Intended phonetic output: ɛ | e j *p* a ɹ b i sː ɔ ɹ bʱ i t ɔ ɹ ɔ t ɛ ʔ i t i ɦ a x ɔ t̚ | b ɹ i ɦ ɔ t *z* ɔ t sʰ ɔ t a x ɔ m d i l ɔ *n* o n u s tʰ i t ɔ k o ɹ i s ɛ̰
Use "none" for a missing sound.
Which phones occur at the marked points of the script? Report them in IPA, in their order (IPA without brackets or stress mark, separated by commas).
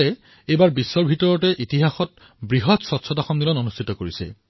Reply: b, s, n